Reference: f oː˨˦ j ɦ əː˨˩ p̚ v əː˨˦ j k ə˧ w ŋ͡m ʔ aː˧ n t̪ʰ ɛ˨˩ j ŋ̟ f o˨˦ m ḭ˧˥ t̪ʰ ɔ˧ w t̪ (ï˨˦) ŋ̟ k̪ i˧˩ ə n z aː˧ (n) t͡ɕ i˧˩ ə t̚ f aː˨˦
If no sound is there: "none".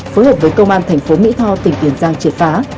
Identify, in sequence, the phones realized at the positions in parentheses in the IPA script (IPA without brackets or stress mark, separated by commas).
ï˨˩, ŋ